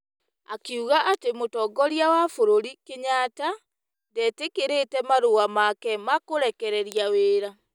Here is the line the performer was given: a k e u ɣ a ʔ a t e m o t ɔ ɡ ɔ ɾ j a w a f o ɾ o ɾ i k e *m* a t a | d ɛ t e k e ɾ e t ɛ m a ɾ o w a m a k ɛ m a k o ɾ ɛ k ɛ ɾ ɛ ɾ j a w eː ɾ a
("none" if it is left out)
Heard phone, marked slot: ɲ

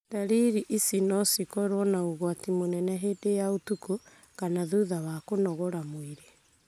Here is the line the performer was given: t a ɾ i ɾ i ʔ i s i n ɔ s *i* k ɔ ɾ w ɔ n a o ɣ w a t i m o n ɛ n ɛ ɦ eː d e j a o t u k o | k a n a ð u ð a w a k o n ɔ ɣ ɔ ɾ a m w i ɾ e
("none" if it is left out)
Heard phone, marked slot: i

